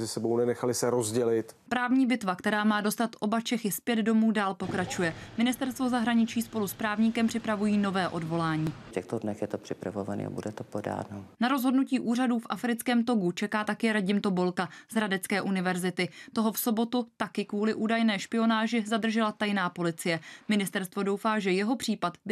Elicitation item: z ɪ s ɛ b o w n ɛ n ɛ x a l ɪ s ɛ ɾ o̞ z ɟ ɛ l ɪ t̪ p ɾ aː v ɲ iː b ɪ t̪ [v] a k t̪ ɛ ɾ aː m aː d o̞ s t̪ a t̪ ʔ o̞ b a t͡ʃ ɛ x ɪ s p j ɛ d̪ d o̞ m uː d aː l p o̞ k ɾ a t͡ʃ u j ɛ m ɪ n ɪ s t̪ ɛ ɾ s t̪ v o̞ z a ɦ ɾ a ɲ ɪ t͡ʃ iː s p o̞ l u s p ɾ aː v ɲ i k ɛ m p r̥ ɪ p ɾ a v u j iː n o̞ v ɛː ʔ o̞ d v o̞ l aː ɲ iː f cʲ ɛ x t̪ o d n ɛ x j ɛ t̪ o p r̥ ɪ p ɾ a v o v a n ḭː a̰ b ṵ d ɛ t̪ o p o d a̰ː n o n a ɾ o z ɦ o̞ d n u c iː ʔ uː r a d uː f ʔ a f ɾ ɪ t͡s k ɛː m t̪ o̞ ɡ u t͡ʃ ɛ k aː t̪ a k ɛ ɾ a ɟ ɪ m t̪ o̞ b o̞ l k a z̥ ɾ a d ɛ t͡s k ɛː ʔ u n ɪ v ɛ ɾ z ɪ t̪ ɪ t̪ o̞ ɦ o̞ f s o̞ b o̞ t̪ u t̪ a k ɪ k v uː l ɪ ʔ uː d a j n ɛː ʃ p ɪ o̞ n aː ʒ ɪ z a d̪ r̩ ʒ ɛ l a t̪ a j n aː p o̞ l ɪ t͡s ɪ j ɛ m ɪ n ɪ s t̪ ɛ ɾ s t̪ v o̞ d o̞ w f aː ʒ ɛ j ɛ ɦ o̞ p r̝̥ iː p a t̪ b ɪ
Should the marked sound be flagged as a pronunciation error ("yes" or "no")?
no